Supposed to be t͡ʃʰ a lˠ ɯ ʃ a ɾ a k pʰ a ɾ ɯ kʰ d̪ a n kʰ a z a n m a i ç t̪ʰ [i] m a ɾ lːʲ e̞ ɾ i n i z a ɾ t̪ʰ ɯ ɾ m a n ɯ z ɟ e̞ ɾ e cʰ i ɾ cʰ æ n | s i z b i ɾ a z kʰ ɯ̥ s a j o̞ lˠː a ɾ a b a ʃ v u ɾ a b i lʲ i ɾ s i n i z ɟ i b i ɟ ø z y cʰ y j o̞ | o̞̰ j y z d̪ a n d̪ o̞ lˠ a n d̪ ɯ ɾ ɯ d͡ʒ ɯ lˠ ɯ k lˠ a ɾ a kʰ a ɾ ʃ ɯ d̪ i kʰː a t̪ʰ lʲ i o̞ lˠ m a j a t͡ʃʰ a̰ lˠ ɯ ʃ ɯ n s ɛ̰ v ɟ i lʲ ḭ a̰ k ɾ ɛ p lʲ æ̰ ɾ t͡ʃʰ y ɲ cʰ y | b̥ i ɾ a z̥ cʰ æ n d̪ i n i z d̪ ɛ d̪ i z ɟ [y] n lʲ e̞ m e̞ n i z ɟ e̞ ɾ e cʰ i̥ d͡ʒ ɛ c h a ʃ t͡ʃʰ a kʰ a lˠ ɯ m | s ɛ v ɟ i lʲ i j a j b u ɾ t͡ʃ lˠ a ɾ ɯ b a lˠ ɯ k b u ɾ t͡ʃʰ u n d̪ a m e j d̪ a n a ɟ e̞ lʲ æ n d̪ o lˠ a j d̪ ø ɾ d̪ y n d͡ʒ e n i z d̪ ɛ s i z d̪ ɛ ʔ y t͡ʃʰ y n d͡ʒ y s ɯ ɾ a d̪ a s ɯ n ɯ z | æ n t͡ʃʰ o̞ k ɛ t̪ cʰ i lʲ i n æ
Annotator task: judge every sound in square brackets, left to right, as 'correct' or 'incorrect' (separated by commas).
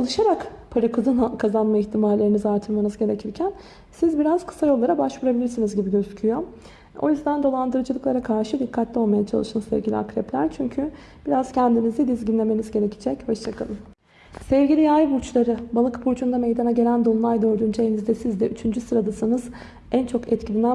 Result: correct, incorrect